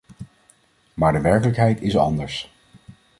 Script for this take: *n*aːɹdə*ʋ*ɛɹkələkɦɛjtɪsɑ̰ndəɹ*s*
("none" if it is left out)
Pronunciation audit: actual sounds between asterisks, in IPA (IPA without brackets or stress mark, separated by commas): m, ʋ, s